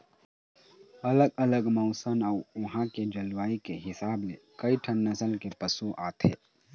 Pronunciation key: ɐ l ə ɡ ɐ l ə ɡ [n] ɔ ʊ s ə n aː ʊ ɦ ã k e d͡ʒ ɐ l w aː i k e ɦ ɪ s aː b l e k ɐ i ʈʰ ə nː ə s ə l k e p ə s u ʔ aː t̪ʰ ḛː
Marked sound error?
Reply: yes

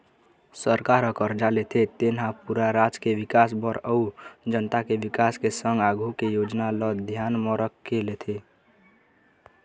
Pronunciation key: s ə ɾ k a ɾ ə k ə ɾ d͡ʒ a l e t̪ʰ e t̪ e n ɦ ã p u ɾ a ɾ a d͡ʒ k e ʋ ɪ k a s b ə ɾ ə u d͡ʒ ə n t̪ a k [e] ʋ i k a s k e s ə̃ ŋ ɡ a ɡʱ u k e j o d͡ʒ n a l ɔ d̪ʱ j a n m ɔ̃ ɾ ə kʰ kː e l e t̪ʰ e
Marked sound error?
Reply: no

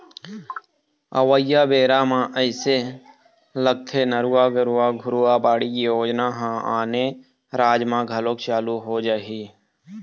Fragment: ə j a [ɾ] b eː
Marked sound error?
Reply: yes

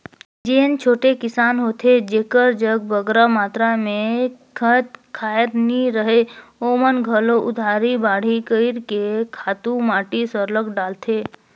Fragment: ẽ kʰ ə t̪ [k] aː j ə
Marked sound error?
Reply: yes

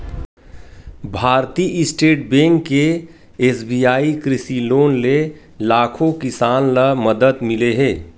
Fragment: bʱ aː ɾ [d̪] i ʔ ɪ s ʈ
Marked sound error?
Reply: yes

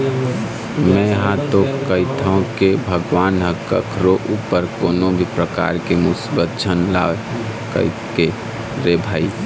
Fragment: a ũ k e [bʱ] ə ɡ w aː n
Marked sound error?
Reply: no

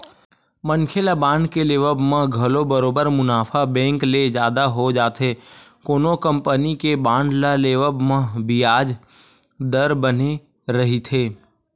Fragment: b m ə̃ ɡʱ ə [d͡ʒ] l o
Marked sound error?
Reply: yes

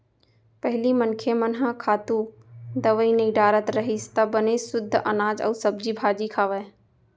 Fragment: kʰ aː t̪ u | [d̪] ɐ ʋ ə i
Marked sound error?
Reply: no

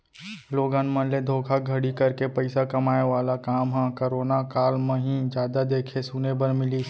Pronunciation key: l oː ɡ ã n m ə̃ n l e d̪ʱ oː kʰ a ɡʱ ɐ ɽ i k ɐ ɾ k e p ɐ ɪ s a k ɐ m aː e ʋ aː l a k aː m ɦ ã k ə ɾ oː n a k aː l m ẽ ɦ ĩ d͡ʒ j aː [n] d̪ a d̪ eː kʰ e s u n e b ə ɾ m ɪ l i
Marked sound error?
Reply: yes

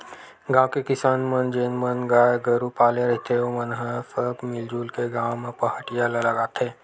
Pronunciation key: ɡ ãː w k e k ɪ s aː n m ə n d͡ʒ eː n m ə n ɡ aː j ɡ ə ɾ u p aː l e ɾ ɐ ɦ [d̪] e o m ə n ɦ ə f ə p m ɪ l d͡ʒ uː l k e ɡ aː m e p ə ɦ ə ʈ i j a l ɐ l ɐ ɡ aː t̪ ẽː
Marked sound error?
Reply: yes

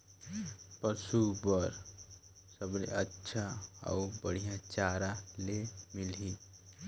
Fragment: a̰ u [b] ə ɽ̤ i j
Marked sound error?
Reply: no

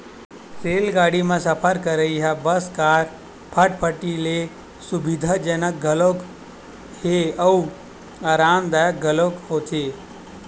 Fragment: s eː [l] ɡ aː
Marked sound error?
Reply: no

